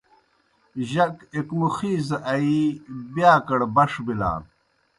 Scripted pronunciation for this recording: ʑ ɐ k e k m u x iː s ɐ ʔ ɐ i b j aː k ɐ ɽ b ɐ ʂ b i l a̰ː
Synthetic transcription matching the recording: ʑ ɐ k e k m u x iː z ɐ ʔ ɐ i b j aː k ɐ ɽ b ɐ ʂ b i l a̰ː

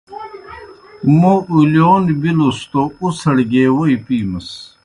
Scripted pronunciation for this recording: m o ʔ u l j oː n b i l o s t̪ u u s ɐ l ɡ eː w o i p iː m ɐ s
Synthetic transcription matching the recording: m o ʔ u l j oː n b i l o s t̪ o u s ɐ ɽ ɡ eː w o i p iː m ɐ s

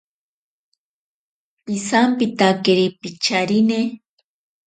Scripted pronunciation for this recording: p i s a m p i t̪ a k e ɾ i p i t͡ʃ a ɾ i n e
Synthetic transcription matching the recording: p i s a m p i t̪ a k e ɾ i p i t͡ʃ a ɾ i n e

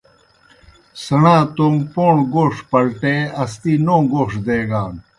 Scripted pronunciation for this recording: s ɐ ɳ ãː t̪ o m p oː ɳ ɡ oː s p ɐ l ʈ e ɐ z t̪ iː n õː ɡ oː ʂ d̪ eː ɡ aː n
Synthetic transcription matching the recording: s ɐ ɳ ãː t̪ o m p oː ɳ ɡ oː ʂ p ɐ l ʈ e ɐ s t̪ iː n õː ɡ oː ʂ d̪ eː ɡ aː n

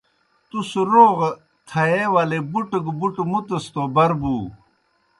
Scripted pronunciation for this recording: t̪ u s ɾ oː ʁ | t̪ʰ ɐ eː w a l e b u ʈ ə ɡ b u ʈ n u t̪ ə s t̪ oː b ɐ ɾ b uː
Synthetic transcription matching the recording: t̪ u s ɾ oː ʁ | t̪ʰ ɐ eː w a l e b u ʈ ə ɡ b u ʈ m u t̪ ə s t̪ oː b ɐ ɾ b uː

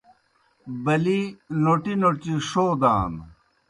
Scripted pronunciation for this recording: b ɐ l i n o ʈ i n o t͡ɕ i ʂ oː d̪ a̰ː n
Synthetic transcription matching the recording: b ɐ l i n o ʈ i n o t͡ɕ i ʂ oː d̪ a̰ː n

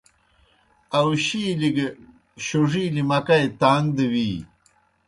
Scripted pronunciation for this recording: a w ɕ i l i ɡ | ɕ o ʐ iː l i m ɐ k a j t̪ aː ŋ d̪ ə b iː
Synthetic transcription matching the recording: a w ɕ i l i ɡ | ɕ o ʐ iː l i m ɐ k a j t̪ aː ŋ d̪ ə w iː

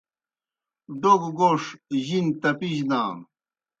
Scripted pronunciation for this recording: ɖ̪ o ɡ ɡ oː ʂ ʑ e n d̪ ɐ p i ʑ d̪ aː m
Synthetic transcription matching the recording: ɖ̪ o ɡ ɡ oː ʂ ʑ i n t̪ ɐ p i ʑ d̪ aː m

